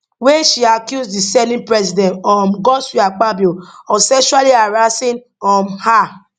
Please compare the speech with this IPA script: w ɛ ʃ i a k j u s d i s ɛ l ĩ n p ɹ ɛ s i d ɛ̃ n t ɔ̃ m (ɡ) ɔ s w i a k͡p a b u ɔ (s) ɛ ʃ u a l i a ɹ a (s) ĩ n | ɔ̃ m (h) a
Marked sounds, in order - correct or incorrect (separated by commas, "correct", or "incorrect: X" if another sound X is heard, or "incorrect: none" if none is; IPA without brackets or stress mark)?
correct, correct, correct, correct